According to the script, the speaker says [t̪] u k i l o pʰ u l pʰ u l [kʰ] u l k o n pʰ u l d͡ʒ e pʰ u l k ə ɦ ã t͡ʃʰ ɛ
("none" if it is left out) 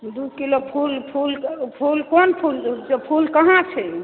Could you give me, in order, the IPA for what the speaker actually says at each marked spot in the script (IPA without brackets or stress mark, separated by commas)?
d̪, pʰ